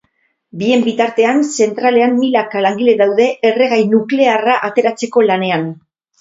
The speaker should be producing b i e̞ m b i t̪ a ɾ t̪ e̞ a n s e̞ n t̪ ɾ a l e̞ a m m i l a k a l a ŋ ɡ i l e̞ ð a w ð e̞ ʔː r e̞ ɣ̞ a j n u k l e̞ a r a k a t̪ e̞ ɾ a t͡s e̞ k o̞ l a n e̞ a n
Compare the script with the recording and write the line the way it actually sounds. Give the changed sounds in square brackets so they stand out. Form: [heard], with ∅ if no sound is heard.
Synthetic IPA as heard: b i e̞ m b i t̪ a ɾ t̪ e̞ a n s e̞ n t̪ ɾ a l e̞ a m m i l a k a l a ŋ ɡ i l e̞ ð a w ð e̞ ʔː r e̞ ɣ̞ a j n u k l e̞ a r a [ʔ] a t̪ e̞ ɾ a t͡s e̞ k o̞ l a n e̞ a n